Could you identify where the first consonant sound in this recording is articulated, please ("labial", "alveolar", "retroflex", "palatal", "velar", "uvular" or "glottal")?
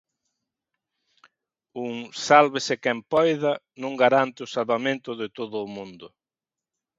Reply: velar